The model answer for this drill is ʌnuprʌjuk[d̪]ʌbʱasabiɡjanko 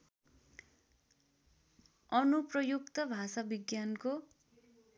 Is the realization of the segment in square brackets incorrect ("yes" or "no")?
yes